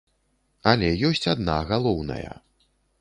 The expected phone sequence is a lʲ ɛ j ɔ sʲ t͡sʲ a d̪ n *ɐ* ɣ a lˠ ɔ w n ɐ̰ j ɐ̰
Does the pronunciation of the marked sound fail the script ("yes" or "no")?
yes